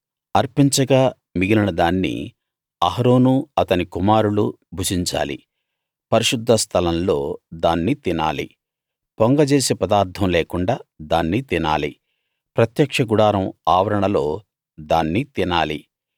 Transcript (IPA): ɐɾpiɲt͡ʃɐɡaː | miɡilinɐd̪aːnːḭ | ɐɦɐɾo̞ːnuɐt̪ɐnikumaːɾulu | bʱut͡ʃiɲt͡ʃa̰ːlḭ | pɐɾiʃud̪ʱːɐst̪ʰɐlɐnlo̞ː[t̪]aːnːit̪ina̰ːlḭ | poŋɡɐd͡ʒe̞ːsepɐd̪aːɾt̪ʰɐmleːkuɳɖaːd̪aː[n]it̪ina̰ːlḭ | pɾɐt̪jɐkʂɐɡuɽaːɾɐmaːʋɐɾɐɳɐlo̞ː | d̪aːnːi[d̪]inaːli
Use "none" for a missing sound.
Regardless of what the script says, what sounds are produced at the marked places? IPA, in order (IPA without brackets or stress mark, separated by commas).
d̪, nː, t̪